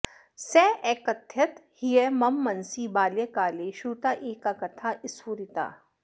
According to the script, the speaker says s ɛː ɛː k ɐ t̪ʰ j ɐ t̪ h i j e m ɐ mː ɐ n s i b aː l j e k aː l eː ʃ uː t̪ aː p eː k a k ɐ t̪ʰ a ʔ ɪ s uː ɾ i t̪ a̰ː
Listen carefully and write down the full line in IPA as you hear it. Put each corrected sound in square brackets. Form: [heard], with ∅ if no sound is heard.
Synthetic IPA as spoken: s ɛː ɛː k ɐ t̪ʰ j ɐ t̪ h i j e m ɐ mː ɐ n s i b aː l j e k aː l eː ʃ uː t̪ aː [ʔ] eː k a k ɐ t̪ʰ a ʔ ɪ s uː ɾ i t̪ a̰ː